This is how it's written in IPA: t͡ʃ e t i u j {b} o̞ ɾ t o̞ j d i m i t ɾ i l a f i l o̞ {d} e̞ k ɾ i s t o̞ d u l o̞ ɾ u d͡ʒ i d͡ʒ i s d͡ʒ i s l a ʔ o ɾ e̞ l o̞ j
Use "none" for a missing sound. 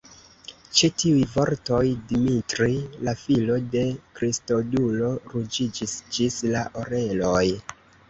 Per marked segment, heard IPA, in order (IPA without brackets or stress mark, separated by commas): v, d